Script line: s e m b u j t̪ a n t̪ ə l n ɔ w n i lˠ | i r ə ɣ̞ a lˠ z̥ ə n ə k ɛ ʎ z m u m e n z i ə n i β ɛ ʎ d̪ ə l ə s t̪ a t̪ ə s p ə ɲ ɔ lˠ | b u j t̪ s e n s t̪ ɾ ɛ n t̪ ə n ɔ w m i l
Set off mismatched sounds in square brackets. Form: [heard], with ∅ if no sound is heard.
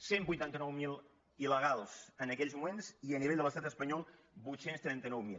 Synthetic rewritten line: s e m b u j t̪ a n t̪ ə [∅] n ɔ w [m] i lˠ | i [l] ə ɣ̞ a lˠ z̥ ə n ə k ɛ ʎ z m u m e n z i ə n i β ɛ ʎ d̪ ə l ə s t̪ a t̪ ə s p ə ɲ ɔ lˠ | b u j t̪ s e n s t̪ ɾ ɛ n t̪ ə n ɔ w m i l